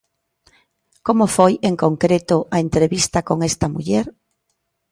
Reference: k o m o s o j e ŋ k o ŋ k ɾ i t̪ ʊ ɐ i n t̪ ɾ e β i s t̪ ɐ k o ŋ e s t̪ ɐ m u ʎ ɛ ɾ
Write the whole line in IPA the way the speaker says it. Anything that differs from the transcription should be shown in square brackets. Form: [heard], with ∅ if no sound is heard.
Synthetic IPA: k o m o [f] o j e ŋ k o ŋ k ɾ [e] t̪ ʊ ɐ [e] n t̪ ɾ e β i s t̪ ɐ k o ŋ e s t̪ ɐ m u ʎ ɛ ɾ